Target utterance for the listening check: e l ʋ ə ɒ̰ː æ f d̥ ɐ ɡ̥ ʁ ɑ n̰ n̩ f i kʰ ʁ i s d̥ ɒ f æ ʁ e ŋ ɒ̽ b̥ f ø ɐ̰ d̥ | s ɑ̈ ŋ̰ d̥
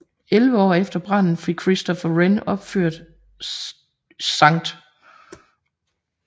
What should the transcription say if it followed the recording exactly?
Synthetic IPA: e l ʋ ə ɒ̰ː e f d̥ ɐ b̥ ʁ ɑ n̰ n̩ f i kʰ ʁ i s d̥ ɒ f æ ʁ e n ɒ̽ b̥ f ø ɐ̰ d̥ | s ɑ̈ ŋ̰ d̥